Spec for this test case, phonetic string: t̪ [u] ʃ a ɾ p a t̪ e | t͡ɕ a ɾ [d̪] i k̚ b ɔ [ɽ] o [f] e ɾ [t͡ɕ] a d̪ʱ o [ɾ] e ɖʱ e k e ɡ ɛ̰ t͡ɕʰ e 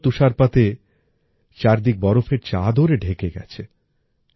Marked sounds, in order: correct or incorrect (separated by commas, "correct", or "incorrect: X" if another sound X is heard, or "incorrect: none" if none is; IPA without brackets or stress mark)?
correct, correct, incorrect: ɾ, correct, correct, correct